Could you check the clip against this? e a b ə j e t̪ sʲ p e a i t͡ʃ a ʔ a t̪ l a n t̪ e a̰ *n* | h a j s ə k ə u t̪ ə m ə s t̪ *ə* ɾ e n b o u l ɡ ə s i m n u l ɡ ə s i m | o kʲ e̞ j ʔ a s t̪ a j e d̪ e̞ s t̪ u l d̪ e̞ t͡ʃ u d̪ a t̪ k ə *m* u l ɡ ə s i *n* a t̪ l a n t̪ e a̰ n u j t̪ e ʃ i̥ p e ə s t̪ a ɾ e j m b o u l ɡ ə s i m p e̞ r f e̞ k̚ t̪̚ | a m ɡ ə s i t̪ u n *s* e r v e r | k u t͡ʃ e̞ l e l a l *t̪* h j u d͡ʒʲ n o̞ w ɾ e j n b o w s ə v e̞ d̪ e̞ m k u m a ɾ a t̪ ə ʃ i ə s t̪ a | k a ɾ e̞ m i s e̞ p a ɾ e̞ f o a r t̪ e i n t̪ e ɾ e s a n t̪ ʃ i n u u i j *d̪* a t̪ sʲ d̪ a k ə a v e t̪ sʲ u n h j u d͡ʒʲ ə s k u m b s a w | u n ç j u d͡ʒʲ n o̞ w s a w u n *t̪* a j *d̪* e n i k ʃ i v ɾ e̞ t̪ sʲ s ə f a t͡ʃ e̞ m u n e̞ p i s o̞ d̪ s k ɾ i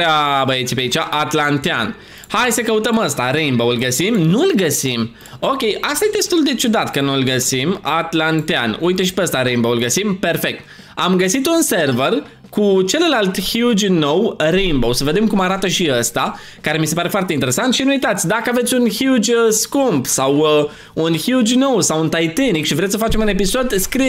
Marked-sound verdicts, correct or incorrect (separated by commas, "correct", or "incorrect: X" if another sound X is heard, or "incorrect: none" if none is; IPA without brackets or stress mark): correct, incorrect: a, incorrect: n, incorrect: m, correct, correct, incorrect: t̪, correct, incorrect: t̪